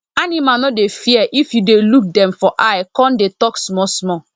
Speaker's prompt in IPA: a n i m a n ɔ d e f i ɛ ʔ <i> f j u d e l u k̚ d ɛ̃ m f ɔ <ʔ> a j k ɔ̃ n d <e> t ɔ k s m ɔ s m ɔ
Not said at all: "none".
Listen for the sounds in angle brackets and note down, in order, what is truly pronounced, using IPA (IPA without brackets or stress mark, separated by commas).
i, ʔ, e